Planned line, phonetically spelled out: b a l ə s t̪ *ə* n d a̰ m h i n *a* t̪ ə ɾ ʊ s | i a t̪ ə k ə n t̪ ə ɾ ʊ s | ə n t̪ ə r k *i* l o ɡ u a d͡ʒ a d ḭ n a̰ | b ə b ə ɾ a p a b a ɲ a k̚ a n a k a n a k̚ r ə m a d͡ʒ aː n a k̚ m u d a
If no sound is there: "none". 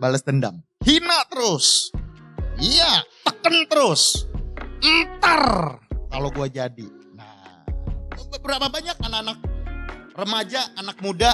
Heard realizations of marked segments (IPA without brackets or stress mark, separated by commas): ə, a, a